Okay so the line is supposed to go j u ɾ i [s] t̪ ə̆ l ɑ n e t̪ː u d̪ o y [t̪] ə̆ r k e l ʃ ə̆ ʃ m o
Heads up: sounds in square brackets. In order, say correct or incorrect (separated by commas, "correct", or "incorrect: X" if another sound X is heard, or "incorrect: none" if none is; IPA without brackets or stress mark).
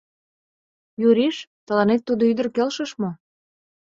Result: incorrect: ʃ, incorrect: d̪